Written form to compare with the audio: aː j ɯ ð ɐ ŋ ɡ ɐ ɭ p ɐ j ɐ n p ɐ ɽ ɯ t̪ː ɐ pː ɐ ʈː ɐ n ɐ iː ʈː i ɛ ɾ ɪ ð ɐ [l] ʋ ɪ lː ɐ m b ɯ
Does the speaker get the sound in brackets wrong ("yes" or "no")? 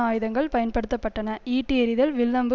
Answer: no